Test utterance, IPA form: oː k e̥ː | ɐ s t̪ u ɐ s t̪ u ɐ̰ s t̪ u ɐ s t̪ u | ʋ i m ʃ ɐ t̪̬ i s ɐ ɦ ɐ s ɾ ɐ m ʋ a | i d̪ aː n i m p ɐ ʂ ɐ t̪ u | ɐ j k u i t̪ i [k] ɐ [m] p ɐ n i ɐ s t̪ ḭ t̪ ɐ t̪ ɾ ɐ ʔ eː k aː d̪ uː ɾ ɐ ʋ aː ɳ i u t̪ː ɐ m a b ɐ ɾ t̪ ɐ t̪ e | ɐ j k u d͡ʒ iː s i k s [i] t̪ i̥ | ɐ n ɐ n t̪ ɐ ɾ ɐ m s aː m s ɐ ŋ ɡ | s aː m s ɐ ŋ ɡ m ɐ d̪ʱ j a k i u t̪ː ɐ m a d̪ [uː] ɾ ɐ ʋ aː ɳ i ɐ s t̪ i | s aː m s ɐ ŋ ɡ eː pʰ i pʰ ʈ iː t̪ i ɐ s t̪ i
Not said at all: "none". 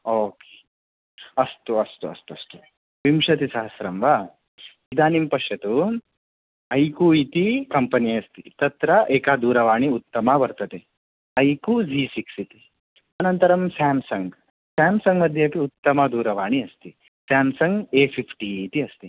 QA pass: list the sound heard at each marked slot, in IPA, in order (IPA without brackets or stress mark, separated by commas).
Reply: k, m, i, uː